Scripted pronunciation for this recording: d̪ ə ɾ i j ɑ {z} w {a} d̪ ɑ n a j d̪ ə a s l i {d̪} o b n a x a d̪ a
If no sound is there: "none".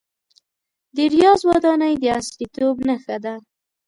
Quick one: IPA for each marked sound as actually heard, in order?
z, ɑ, t̪

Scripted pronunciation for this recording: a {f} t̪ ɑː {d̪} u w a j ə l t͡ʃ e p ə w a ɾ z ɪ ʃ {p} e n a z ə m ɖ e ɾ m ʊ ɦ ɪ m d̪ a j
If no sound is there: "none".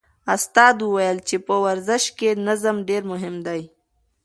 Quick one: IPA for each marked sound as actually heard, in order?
s, d̪, k

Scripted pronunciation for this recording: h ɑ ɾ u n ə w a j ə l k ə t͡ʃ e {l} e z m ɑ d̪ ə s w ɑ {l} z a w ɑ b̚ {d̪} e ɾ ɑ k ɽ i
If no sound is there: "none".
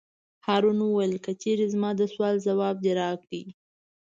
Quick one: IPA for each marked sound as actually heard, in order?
ɾ, l, d̪

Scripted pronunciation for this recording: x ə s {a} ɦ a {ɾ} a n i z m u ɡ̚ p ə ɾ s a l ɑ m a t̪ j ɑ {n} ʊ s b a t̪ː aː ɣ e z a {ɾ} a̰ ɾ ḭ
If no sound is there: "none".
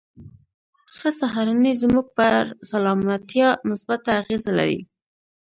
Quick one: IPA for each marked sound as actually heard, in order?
a, ɾ, m, l

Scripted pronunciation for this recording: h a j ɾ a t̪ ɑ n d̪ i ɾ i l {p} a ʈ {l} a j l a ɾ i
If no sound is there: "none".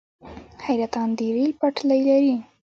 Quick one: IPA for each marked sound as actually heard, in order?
p, l

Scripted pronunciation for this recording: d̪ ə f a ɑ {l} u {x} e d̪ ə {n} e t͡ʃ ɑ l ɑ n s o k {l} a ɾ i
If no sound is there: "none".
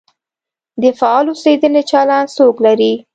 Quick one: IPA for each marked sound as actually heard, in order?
l, s, n, l

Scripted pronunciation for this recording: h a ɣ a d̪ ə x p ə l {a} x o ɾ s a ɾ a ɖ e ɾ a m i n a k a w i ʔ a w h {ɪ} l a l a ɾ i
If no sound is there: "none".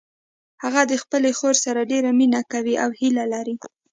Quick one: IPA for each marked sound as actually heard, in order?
e, i

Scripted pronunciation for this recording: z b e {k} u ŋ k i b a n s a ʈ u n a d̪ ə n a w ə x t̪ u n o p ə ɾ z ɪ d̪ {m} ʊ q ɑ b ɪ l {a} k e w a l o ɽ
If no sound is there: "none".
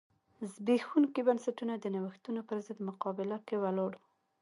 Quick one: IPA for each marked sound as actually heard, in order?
x, m, a

